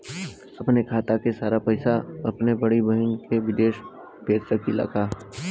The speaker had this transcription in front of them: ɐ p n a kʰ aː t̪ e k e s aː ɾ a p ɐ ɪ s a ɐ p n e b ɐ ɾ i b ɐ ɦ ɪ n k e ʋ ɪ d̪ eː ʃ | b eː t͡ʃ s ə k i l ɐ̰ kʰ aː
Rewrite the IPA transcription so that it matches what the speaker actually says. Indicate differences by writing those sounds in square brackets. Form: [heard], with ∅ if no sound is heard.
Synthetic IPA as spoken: ɐ p n [e] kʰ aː t̪ [a] k e s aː ɾ a p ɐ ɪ s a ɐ p n e b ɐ [ɽ] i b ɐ ɦ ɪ n k e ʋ ɪ d̪ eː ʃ | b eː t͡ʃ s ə k i l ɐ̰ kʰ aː